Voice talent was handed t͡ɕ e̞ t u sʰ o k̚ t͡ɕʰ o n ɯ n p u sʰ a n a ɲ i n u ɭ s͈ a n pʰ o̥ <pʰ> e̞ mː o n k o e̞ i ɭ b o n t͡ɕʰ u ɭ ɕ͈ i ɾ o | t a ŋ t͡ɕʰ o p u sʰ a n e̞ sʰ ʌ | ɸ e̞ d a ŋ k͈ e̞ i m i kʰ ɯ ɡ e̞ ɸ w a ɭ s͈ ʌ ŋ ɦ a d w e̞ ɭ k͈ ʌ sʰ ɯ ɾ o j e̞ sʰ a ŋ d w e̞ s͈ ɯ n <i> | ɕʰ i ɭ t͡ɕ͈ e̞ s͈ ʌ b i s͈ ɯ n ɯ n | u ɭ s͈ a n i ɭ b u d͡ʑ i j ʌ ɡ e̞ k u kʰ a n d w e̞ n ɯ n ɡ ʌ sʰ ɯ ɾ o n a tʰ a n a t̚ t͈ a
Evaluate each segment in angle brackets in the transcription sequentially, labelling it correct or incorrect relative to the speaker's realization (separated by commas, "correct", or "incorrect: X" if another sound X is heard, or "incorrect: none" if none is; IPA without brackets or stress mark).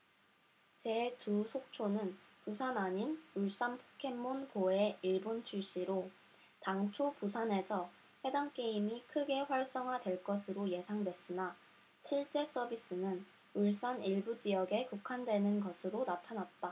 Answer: incorrect: kʰ, incorrect: a